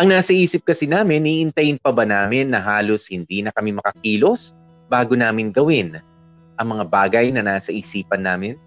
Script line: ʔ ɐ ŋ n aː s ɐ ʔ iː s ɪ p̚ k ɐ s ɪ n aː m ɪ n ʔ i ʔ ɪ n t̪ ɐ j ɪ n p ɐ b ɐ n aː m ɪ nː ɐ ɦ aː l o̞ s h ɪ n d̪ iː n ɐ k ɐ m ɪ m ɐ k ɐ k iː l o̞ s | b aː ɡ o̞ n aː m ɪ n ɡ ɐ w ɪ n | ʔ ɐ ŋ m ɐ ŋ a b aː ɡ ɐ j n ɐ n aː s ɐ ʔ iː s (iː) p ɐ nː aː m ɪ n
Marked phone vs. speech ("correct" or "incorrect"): correct